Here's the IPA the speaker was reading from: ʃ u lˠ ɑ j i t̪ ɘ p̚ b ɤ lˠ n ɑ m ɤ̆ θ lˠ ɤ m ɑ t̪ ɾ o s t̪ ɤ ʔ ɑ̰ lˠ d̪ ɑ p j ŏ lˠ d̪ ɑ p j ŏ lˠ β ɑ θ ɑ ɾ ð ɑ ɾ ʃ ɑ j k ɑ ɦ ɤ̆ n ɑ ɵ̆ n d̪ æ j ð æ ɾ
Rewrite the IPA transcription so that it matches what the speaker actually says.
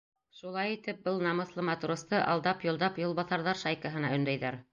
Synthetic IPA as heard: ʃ u lˠ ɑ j i t̪ ɘ p̚ b ɤ lˠ n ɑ m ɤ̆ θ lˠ ɤ m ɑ t̪ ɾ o s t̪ ɤ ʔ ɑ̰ lˠ d̪ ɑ p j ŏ lˠ d̪ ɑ p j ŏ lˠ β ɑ θ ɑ ɾ ð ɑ ɾ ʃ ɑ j k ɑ ɦ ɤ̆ n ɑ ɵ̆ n d̪ æ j ð æ ɾ